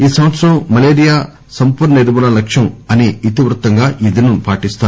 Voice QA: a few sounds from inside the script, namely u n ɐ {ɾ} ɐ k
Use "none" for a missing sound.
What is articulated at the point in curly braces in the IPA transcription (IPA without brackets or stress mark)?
l